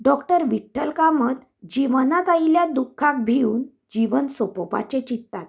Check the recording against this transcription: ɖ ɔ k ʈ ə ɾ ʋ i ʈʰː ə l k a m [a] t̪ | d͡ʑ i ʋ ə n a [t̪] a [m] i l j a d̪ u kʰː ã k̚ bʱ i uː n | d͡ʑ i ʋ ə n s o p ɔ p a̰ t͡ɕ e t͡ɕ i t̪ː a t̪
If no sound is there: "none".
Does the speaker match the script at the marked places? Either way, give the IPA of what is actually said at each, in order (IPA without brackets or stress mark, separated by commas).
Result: ə, t̪, none